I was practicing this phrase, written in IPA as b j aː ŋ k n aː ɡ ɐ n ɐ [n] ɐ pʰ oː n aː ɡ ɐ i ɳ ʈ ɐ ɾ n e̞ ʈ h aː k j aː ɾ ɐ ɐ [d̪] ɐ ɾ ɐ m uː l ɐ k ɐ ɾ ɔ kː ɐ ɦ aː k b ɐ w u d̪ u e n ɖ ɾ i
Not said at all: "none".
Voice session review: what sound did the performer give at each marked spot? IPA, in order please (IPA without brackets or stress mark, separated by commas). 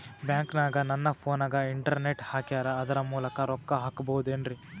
nː, d̪